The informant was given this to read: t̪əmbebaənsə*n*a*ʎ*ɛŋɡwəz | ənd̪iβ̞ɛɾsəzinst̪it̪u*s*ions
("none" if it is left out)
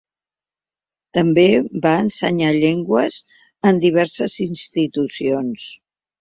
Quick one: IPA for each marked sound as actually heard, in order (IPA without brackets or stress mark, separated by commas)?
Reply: ɲ, ʎ, s